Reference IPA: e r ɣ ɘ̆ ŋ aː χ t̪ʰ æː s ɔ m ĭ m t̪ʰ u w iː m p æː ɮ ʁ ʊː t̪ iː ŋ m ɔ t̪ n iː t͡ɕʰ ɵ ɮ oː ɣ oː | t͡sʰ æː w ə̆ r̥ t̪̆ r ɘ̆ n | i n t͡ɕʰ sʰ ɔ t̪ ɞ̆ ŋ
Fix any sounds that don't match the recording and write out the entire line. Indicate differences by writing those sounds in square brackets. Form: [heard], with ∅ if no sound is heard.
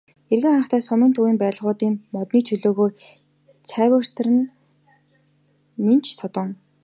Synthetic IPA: e r ɣ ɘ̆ ŋ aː χ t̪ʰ æː s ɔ m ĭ [n] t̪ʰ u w iː m p æː ɮ ʁ ʊː t̪ iː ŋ m ɔ t̪ n iː t͡ɕʰ ɵ ɮ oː ɣ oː | t͡sʰ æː w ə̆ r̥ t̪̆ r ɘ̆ n | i n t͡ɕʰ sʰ ɔ t̪ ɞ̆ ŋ